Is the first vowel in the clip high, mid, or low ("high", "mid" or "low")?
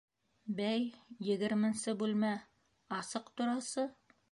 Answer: low